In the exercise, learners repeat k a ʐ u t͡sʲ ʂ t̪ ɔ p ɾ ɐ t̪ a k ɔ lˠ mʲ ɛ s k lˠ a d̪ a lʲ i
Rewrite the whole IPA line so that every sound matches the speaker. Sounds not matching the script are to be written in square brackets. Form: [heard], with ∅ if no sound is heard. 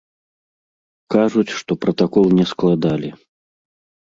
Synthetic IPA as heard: k a ʐ u t͡sʲ ʂ t̪ ɔ p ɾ ɐ t̪ a k ɔ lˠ [nʲ] ɛ s k lˠ a d̪ a lʲ i